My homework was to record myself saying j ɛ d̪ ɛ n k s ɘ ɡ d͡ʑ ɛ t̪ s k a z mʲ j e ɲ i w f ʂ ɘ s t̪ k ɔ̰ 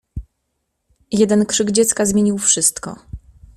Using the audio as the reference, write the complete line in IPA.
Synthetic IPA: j ɛ d̪ ɛ n k ʂ ɘ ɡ d͡ʑ ɛ t̪ s k a z mʲ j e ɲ i w f ʂ ɘ s t̪ k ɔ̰